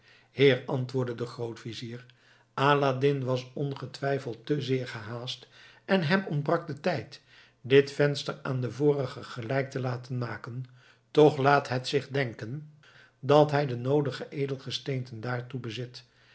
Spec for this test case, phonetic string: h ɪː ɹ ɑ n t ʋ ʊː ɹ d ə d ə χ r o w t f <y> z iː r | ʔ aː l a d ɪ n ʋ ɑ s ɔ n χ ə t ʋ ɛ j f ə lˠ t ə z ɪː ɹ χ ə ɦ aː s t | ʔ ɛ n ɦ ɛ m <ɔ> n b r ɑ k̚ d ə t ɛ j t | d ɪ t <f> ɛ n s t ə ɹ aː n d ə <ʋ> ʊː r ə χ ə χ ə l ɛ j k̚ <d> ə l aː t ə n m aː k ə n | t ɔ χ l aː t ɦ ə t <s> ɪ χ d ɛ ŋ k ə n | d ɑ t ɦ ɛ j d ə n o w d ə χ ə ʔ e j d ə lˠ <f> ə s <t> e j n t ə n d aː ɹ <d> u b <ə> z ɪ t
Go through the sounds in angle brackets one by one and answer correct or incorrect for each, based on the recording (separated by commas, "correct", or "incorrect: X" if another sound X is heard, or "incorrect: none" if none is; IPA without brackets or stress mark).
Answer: incorrect: i, correct, correct, incorrect: v, incorrect: t, correct, incorrect: χ, correct, incorrect: t, correct